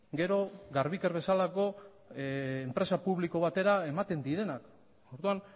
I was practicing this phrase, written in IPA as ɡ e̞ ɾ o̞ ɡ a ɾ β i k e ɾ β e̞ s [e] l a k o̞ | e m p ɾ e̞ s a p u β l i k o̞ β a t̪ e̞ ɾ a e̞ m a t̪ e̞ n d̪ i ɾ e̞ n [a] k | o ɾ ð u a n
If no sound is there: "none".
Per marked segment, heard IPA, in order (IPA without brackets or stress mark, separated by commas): a, a